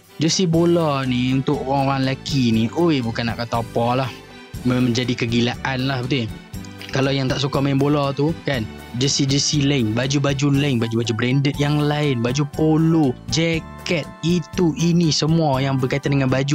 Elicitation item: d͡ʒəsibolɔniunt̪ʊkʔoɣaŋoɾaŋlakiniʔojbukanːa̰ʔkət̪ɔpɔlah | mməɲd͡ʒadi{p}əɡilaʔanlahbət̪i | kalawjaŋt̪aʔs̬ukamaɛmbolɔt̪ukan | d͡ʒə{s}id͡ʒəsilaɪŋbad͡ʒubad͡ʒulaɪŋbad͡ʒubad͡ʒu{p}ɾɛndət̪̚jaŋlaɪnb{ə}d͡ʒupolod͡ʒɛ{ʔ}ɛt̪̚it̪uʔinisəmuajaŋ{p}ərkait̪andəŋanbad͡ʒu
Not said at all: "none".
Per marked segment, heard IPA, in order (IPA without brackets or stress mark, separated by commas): k, s, b, a, k, b